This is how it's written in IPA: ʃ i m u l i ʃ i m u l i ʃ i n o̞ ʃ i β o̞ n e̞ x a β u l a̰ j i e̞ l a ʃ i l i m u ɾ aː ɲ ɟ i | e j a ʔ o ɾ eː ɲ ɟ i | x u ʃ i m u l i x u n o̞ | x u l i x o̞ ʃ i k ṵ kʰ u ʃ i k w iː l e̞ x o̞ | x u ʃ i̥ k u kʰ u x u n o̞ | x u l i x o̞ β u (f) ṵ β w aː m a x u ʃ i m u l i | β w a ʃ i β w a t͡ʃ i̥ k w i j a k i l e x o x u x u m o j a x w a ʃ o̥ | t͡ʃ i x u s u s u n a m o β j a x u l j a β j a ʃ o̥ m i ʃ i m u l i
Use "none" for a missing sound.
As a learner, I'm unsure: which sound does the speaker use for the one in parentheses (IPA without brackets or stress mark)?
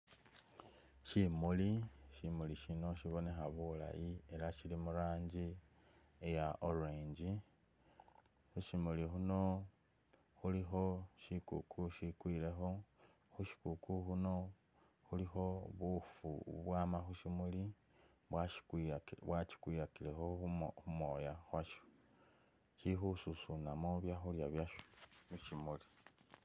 f